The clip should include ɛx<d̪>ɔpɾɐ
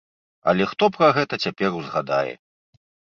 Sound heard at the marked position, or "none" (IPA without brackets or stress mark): t̪